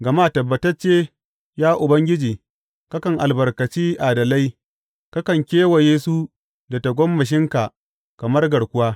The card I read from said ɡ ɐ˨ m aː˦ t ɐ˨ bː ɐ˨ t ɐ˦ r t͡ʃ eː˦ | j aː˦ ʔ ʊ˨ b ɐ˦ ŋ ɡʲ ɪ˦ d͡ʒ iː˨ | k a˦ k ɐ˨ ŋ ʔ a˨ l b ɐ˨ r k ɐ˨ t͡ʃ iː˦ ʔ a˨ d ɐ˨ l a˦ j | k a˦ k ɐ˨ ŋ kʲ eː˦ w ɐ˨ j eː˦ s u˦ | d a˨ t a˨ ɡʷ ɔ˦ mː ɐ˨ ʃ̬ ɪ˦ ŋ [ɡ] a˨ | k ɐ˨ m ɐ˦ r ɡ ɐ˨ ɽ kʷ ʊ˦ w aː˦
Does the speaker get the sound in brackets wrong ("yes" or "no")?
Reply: yes